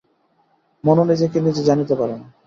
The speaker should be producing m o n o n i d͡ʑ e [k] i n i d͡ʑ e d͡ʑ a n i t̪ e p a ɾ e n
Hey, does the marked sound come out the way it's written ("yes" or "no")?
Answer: yes